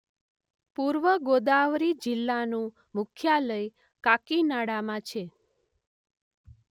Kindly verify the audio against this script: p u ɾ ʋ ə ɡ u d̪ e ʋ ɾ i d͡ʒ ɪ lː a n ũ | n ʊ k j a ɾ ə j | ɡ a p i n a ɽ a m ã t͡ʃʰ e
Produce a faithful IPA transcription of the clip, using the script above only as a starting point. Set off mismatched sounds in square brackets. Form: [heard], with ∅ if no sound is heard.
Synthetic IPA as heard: p u ɾ ʋ ə ɡ [o] d̪ [a] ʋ ɾ i d͡ʒ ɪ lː a n ũ | [m] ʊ [kʰ] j a [l] ə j | [k] a [k] i n a ɽ a m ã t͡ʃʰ e